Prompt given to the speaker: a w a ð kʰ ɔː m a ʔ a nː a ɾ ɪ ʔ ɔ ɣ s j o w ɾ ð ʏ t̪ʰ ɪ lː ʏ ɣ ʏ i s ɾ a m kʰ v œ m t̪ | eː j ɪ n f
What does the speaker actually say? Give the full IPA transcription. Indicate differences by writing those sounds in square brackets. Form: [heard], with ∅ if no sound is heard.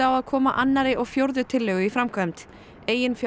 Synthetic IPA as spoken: a w a ð kʰ ɔː m a ʔ a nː a ɾ ɪ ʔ ɔ ɣ [f] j o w ɾ ð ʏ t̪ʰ ɪ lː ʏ ɣ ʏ i [f] ɾ a m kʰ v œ m t̪ | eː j ɪ n f